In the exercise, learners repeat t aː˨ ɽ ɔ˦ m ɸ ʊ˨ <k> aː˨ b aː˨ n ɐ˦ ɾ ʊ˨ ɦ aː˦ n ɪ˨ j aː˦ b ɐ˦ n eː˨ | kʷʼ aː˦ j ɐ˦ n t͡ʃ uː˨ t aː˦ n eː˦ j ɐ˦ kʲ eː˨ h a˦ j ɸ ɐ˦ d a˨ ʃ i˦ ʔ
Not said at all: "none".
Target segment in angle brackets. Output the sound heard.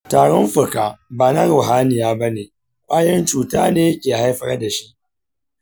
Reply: k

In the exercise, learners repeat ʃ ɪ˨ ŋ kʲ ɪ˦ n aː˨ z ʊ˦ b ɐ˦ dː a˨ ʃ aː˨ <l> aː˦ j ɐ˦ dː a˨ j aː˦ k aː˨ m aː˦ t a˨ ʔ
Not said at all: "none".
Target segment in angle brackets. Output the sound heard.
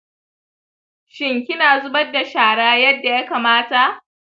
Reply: ɽ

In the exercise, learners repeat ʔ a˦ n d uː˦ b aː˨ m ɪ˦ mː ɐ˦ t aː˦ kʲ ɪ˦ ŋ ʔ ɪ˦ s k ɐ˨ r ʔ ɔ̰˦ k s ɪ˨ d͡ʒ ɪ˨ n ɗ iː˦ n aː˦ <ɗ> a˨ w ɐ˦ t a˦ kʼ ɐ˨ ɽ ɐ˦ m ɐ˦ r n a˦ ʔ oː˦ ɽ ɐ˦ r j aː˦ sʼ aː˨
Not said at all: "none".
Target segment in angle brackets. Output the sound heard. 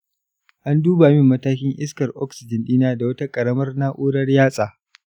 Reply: d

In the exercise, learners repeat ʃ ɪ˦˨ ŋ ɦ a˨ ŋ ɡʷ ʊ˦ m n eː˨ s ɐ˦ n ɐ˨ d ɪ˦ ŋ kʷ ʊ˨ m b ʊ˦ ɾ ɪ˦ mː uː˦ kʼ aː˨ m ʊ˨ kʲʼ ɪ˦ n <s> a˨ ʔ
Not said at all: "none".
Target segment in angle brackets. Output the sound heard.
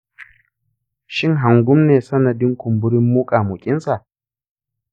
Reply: s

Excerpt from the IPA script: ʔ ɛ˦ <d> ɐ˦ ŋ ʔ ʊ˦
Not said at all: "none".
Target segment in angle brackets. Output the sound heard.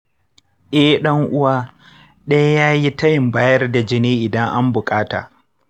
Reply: ɗ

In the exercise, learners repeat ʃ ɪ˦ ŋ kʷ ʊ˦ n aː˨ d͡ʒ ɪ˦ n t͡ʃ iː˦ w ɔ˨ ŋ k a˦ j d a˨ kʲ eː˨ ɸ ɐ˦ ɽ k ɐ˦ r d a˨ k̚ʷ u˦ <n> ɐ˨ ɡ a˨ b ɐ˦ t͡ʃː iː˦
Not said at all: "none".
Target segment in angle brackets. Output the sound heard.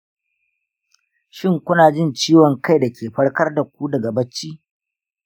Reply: d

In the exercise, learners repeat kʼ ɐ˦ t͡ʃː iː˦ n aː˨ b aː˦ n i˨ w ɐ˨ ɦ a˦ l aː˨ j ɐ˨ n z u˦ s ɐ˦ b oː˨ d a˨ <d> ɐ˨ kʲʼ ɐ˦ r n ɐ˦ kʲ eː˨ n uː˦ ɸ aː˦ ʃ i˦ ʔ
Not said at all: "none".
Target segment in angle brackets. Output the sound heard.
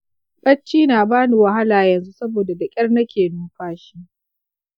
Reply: d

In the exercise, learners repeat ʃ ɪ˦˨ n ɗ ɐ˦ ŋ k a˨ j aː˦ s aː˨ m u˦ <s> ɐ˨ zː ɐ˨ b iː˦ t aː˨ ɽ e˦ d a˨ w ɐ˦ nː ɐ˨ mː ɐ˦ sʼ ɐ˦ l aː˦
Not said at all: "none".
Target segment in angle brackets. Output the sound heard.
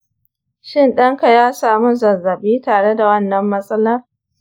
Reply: z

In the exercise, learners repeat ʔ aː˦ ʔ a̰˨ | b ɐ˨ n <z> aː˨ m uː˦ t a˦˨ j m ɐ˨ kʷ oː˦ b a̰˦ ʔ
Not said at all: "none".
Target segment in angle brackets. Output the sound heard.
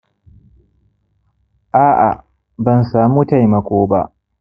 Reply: s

